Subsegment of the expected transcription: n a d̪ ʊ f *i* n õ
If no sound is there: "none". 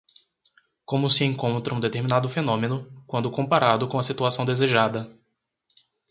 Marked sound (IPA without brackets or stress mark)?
e